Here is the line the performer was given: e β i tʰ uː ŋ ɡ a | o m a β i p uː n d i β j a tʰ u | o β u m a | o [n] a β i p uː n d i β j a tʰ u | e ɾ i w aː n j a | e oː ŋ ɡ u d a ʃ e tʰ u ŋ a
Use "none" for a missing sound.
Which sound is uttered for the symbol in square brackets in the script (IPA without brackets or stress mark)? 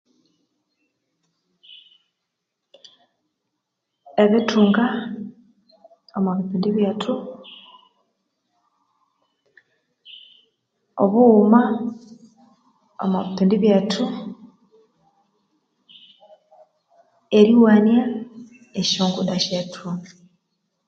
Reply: m